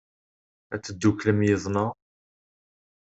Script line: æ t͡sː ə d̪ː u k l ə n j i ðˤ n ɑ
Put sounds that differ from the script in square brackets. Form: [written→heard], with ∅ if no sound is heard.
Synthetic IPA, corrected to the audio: æ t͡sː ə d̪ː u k l ə [n→m] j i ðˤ n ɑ

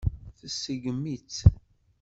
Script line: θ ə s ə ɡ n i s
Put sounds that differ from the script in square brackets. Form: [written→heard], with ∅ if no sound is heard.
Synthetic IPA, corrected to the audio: θ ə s ə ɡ [n→m] i [s→t͡s]

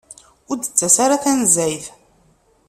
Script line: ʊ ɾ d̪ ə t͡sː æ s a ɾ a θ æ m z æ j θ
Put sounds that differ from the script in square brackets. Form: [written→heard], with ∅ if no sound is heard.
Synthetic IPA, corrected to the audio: ʊ ɾ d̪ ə t͡sː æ s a ɾ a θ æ [m→n] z æ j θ

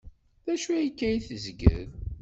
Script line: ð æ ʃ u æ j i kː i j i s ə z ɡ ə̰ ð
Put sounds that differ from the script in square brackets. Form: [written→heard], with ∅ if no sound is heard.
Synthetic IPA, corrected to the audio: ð æ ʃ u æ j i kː [i→æ] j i [s→θ] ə z ɡ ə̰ ð

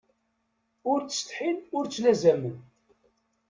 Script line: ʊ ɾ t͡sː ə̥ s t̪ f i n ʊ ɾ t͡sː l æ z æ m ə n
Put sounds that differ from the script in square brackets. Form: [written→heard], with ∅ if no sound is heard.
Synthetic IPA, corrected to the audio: ʊ ɾ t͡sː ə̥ s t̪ [f→ħ] i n ʊ ɾ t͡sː l æ z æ m ə n

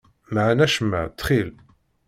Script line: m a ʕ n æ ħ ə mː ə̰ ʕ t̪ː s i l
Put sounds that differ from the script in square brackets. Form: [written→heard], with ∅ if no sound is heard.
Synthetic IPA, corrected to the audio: m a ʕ n æ [ħ→ʃ] ə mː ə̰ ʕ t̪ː [s→χ] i l

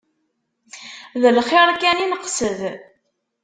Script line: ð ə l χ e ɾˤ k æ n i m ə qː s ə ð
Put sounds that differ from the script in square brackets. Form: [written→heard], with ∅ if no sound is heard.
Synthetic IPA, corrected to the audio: ð ə l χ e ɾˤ k æ n i [m→n] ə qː s ə ð

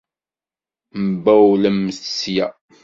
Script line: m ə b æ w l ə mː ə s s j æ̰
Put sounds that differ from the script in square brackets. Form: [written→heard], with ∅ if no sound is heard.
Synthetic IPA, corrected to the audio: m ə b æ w l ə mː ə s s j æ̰

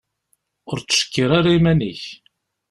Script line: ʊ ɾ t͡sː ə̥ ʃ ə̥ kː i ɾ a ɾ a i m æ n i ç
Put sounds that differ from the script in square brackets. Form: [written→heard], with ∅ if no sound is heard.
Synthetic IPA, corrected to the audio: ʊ ɾ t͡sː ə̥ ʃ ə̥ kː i ɾ a ɾ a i m æ n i ç

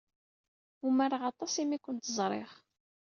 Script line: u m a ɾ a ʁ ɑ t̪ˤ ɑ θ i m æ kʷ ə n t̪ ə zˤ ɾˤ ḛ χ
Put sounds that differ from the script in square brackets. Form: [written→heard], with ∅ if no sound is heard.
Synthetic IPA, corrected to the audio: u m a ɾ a ʁ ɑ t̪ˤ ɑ [θ→s] i m [æ→i] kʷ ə n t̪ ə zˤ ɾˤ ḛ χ

